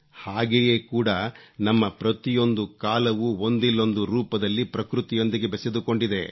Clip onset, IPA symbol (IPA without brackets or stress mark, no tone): h